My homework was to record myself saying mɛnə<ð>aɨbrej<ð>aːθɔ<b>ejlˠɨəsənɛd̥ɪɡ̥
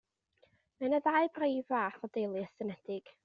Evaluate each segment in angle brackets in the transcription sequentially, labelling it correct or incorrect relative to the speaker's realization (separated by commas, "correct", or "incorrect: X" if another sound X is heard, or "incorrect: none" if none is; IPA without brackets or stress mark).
correct, incorrect: v, incorrect: d